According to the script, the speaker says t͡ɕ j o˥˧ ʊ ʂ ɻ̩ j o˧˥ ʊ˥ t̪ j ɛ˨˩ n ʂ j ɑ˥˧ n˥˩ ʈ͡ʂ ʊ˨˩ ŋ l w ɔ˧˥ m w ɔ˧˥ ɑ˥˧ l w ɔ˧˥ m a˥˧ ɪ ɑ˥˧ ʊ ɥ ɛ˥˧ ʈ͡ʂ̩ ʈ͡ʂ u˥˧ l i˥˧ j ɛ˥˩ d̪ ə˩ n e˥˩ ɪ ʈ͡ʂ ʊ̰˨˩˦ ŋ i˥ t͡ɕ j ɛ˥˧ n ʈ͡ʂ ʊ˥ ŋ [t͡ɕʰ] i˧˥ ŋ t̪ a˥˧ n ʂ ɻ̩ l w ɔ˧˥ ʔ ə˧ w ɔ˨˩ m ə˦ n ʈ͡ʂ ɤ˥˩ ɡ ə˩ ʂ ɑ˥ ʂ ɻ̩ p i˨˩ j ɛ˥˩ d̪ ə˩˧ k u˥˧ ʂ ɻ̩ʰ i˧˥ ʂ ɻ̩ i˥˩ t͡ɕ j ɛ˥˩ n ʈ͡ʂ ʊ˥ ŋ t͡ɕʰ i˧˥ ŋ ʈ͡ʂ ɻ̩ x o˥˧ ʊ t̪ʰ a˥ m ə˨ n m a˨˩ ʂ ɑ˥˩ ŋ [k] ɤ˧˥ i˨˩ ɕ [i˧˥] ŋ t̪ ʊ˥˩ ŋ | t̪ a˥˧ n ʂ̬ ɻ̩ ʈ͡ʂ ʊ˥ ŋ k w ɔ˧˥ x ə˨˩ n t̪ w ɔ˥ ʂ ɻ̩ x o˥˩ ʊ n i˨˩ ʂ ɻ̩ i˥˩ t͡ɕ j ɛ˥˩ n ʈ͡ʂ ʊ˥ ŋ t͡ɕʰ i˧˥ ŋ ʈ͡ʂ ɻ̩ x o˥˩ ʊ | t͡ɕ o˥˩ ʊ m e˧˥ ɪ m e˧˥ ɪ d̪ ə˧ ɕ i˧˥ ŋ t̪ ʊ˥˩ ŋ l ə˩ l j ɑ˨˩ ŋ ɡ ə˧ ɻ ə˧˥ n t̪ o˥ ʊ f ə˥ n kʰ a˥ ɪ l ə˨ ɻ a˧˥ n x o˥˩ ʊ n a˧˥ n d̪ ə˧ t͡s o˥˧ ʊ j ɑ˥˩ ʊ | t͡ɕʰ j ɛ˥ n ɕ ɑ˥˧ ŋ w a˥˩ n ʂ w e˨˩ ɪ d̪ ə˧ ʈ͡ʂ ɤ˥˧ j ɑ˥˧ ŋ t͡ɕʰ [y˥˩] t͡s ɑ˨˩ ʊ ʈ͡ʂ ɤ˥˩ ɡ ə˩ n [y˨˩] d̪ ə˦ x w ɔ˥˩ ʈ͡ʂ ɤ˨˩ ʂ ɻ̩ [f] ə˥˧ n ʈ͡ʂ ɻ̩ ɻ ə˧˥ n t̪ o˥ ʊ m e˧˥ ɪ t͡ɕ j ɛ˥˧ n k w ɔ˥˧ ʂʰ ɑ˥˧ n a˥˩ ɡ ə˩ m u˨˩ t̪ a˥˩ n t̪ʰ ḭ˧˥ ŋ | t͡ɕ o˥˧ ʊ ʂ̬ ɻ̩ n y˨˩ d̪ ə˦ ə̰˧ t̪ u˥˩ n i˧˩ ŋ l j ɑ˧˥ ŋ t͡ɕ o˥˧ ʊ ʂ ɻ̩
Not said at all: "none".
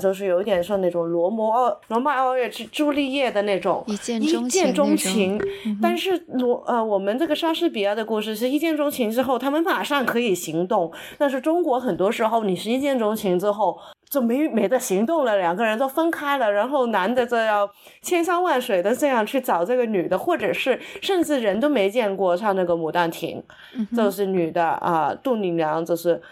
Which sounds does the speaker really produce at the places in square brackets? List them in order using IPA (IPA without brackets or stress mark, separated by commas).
t͡ɕʰ, kʰ, i˧˥, y˥˩, y˨˩, ʂ